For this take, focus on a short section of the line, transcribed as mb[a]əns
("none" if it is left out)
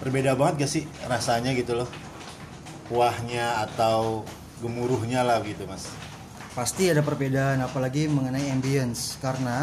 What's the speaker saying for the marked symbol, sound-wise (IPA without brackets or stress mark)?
i